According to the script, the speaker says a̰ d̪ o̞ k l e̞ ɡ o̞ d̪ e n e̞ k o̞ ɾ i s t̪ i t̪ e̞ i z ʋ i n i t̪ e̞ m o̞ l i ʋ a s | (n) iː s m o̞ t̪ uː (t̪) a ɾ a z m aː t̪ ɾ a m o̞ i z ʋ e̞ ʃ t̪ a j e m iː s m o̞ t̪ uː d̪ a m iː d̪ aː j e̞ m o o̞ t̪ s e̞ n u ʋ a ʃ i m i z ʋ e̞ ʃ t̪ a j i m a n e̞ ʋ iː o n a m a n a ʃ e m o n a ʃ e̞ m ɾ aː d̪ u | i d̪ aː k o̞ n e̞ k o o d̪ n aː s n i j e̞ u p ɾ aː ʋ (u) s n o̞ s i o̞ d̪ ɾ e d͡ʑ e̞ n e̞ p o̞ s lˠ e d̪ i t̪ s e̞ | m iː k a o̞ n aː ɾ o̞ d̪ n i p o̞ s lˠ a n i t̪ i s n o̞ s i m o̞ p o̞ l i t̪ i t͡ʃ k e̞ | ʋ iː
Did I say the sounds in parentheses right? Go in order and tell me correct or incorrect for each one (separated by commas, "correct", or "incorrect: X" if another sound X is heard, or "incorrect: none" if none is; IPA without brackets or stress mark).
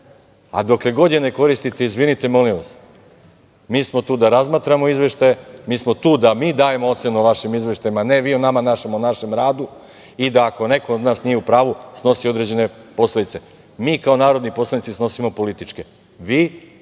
incorrect: m, incorrect: d̪, correct